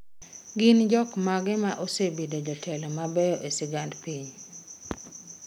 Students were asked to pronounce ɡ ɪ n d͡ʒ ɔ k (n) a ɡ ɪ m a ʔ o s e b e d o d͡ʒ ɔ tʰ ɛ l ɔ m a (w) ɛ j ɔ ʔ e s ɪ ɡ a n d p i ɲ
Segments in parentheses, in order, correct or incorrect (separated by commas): incorrect, incorrect